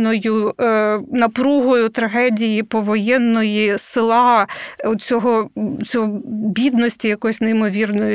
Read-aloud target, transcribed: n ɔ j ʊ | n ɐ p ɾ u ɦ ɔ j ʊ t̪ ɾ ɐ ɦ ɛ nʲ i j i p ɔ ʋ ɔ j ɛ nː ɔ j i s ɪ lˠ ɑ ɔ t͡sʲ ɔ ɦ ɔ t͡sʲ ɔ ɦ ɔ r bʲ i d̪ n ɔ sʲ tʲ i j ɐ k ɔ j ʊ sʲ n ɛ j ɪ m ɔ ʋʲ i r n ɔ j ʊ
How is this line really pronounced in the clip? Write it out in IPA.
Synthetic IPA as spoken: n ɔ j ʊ | n ɐ p ɾ u ɦ ɔ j ʊ t̪ ɾ ɐ ɦ ɛ dʲ i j i p ɔ ʋ ɔ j ɛ nː ɔ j i s ɪ lˠ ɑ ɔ t͡sʲ ɔ ɦ ɔ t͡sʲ ɔ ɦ ɔ bʲ i d̪ n ɔ sʲ tʲ i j ɐ k ɔ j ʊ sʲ n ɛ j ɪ m ɔ ʋʲ i r n ɔ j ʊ